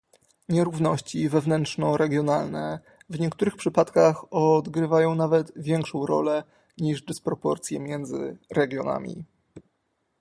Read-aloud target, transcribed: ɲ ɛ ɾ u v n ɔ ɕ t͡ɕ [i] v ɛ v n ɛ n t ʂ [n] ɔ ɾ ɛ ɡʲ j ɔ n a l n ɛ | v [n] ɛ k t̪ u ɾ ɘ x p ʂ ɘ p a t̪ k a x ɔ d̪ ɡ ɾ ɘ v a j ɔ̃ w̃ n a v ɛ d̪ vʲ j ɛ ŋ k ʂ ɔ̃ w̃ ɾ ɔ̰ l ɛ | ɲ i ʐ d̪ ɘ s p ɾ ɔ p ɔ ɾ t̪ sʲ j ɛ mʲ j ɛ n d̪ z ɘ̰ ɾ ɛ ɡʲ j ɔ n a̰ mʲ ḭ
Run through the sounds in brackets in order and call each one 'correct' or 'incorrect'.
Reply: correct, correct, incorrect

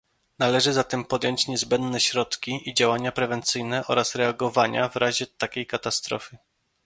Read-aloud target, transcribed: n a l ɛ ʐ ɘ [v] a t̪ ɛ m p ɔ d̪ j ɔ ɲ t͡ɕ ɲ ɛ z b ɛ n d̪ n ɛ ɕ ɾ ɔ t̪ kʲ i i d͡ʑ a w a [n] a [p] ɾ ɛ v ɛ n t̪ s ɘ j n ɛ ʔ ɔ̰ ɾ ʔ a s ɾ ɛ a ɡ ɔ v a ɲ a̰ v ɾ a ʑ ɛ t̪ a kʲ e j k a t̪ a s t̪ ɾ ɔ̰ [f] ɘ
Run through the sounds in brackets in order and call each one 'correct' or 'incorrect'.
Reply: incorrect, incorrect, correct, correct

